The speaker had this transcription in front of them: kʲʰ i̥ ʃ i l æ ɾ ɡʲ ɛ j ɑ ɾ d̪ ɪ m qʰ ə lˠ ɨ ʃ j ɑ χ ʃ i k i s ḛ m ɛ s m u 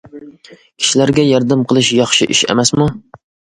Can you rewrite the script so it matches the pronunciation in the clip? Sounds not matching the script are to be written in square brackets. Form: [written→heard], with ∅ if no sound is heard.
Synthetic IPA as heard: kʲʰ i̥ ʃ i l æ ɾ ɡʲ ɛ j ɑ ɾ d̪ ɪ m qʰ ə lˠ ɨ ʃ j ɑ χ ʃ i [k→ʔ] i [s→ʃ] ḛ m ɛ s m u